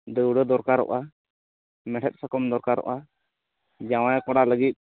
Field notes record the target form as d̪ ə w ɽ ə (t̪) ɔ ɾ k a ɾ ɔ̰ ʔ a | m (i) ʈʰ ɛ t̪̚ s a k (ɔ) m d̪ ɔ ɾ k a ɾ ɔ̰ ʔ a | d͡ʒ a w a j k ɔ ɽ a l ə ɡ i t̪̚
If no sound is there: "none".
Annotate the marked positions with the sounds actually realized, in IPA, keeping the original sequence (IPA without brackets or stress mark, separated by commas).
d̪, ɛ, ɔ